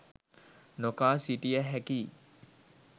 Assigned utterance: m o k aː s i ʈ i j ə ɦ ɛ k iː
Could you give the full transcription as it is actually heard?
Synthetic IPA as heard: n o k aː s i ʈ i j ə ɦ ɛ k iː